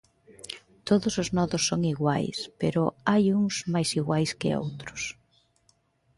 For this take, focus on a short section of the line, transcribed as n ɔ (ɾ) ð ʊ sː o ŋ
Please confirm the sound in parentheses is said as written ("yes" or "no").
no